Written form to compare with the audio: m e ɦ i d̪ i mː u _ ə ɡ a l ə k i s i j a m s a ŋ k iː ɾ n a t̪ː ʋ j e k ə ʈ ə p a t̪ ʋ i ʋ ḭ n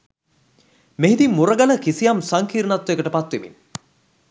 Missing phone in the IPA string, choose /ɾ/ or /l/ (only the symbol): ɾ